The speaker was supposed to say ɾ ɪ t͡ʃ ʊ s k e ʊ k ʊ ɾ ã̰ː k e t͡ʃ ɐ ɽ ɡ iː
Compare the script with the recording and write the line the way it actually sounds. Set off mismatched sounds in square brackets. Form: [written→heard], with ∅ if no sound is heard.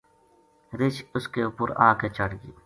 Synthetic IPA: ɾ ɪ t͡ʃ ʊ s k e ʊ [k→p] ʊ ɾ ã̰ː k e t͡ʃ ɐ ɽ ɡ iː